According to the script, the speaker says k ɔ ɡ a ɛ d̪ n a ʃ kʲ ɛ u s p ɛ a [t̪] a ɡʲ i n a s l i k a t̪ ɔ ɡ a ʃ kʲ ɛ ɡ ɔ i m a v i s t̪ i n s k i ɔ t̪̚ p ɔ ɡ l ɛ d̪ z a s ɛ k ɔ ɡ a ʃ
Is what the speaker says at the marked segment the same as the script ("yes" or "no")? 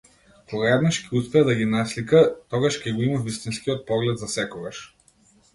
no